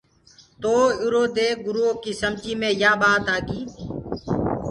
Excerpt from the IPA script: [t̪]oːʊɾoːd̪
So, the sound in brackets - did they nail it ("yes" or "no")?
yes